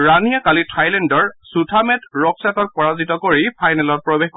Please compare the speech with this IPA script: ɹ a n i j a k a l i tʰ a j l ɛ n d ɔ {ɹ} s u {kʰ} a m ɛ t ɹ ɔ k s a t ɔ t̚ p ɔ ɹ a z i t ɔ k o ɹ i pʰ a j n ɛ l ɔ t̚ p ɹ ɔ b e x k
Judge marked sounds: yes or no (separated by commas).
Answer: yes, no